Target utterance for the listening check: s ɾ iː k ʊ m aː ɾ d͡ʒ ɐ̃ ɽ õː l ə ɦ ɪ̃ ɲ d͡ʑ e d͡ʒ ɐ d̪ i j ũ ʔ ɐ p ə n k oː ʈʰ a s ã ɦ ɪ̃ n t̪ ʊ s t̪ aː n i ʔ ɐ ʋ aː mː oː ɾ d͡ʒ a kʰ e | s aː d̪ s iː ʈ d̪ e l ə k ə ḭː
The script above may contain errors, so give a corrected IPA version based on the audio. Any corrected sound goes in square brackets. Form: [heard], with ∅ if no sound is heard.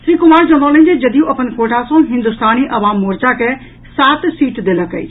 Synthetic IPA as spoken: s ɾ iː k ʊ m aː ɾ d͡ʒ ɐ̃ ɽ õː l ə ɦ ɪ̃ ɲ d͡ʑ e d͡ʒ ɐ d̪ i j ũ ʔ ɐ p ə n k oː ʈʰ a s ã ɦ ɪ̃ n [d̪] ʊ s t̪ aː n i ʔ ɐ ʋ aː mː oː ɾ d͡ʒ a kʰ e | s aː [t̪] s iː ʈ d̪ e l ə k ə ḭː